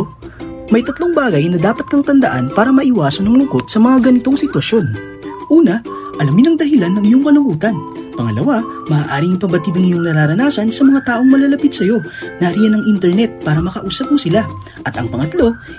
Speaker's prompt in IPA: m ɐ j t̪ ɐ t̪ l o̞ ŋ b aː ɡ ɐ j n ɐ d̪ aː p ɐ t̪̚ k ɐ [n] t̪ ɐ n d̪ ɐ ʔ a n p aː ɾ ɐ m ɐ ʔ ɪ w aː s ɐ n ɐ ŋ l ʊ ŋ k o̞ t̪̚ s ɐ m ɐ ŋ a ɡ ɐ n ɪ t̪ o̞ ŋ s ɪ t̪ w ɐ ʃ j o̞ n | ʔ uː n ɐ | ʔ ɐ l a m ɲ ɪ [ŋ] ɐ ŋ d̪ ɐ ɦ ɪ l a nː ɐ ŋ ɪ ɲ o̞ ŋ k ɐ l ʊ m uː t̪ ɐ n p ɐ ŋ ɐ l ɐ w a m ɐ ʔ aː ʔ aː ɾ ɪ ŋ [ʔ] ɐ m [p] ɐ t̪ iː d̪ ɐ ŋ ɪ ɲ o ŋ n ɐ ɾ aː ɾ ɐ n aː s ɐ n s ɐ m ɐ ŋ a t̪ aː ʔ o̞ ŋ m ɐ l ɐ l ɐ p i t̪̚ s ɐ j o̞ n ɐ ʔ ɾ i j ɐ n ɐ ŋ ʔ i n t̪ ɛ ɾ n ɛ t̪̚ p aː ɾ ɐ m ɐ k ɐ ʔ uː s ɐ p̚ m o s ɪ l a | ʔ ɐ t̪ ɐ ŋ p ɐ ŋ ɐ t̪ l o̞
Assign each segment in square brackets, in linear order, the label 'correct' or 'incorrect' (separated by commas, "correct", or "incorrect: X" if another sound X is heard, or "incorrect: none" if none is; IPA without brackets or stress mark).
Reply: incorrect: ŋ, incorrect: n, incorrect: p, incorrect: b